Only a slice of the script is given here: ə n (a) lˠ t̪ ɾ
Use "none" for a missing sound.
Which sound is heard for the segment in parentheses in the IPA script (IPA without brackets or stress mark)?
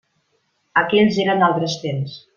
a